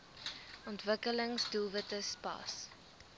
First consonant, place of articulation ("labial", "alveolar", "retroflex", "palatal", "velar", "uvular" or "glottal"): alveolar